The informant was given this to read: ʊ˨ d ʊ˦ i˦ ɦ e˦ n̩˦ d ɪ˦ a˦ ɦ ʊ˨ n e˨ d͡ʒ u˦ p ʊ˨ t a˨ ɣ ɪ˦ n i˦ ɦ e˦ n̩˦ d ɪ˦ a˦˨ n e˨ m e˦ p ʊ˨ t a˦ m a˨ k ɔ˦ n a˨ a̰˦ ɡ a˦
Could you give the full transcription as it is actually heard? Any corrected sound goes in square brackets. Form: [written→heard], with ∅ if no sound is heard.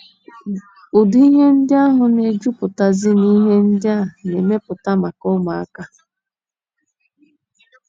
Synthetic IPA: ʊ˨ d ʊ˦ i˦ ɦ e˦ n̩˦ d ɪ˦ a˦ ɦ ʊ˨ n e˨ d͡ʒ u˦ p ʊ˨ t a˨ [ɣ→z] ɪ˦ n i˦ ɦ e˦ n̩˦ d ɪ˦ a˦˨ n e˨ m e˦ p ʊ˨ t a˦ m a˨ k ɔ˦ [n→m] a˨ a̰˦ [ɡ→k] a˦